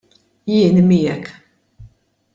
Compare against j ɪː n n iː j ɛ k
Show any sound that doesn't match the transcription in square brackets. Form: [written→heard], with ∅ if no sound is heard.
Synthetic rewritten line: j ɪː n [n→m] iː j ɛ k